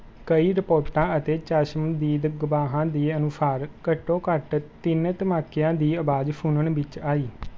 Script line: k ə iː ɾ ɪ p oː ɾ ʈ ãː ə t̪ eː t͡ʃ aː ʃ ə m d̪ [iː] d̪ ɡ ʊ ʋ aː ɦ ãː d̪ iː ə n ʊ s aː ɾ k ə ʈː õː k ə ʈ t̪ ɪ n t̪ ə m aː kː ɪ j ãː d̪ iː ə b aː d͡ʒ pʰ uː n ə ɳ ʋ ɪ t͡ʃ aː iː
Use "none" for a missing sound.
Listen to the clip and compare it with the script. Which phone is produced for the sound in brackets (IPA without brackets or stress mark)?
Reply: iː